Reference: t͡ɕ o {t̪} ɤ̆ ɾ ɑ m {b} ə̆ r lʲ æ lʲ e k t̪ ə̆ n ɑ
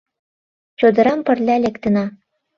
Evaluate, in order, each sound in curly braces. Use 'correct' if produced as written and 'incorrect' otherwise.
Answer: incorrect: d̪, incorrect: p

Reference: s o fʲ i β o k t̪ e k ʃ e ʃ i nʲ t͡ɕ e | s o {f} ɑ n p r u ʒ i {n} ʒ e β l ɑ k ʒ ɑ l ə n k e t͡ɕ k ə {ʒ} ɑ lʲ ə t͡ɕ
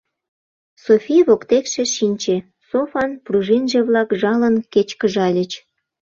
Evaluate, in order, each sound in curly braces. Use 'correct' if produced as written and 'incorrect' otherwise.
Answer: correct, correct, correct

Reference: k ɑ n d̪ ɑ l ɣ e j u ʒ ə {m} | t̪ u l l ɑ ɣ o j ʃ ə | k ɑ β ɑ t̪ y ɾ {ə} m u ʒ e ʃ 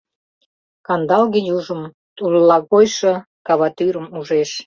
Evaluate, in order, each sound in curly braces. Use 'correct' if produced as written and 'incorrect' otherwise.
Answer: correct, correct

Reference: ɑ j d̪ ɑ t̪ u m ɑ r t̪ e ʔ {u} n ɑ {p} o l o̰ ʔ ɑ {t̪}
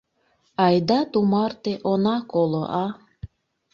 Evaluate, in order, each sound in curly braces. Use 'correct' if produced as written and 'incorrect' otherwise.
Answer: incorrect: o, incorrect: k, incorrect: none

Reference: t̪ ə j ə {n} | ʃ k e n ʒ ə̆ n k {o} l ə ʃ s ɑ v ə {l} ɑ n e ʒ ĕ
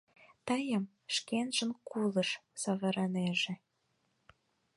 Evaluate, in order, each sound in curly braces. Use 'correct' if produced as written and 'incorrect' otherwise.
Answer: incorrect: m, incorrect: u, incorrect: ɾ

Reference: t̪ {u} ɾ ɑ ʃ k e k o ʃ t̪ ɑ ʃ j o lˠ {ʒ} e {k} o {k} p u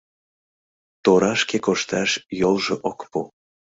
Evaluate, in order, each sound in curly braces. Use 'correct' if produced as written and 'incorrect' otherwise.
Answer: incorrect: o, correct, incorrect: ʔ, correct

